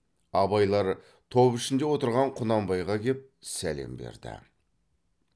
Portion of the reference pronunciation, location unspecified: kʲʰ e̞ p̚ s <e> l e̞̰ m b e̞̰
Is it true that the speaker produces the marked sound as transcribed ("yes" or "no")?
no